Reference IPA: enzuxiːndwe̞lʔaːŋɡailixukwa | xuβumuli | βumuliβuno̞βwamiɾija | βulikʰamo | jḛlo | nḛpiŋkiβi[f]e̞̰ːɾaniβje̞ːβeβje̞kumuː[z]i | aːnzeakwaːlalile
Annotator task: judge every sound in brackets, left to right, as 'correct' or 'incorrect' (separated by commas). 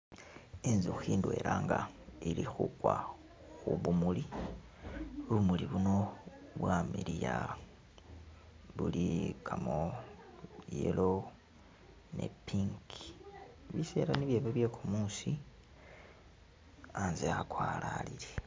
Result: incorrect, incorrect